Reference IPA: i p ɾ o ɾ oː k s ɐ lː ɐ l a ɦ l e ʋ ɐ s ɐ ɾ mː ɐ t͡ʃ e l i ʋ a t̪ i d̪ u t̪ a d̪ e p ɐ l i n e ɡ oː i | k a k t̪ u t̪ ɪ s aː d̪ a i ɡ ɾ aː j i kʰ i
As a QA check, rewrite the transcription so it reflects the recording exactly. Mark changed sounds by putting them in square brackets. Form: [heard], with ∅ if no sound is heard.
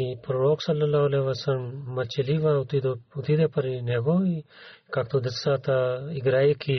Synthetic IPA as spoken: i p ɾ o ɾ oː k s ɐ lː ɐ l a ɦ l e ʋ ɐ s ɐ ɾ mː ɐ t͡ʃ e l i ʋ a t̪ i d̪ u t̪ [i] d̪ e p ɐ [ɾ] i n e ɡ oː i | k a k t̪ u [d̪] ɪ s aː [t̪] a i ɡ ɾ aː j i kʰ i